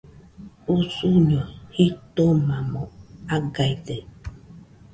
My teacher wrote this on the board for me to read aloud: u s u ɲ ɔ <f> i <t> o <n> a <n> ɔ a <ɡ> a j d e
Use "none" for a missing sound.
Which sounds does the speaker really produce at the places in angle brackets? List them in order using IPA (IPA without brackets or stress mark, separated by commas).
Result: h, t, m, m, ɡ